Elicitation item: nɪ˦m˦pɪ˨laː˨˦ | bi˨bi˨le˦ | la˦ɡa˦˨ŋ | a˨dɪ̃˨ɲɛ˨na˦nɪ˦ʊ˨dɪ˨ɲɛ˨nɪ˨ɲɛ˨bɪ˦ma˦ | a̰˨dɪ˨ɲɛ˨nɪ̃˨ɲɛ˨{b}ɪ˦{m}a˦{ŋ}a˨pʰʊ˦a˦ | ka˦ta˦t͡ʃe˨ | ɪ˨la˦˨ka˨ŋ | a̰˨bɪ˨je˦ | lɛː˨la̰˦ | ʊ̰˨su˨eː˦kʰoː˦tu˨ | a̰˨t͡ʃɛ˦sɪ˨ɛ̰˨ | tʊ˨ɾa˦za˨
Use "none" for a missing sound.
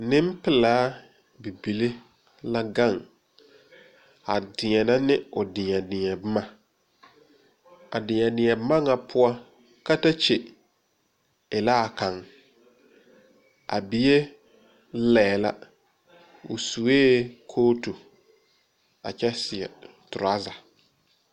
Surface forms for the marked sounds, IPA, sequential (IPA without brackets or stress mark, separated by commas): b, m, ŋ